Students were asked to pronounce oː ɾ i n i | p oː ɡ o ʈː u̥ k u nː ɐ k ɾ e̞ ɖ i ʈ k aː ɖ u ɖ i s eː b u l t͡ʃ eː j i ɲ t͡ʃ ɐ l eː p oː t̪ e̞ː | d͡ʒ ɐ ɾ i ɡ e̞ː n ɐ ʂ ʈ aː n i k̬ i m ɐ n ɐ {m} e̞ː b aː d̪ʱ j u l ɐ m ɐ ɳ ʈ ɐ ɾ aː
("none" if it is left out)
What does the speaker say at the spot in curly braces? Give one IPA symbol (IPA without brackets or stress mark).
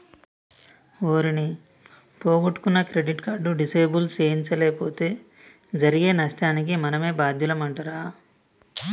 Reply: m